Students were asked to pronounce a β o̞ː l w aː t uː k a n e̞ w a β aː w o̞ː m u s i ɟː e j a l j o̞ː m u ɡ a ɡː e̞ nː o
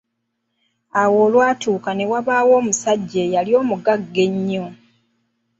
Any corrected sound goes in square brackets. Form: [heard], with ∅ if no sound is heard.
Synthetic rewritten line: a [w] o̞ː l w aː t uː k a n e̞ w a β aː w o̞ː m u s [a] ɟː e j a l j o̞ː m u ɡ a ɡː e̞ [ɲː] o